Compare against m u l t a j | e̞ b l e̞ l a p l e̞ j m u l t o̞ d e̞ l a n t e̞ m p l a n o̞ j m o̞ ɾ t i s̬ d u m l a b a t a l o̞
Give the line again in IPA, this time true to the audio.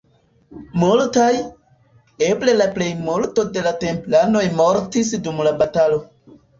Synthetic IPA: m u l t a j | e̞ b l e̞ l a p l e̞ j m u l t o̞ d e̞ l a t e̞ m p l a n o̞ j m o̞ ɾ t i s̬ d u m l a b a t a l o̞